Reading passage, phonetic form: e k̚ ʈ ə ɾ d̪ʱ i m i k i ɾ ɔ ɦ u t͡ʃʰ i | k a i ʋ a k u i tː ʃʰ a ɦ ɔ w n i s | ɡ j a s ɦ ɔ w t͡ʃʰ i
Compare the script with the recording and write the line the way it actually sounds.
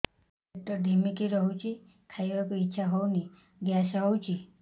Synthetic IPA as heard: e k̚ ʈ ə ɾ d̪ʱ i m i k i ɾ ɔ ɦ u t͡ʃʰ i | kʰ a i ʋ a k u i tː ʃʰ a ɦ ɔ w n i | ɡ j a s ɦ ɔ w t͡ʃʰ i